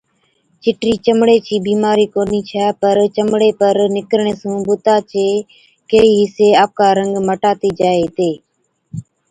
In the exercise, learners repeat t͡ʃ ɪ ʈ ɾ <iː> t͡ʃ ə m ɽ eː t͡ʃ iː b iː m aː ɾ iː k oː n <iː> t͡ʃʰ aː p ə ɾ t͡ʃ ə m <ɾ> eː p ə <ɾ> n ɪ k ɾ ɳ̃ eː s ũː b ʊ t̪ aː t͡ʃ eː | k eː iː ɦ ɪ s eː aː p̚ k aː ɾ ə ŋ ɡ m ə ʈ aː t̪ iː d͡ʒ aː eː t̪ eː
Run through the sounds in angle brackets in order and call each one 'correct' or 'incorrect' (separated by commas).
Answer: correct, correct, incorrect, correct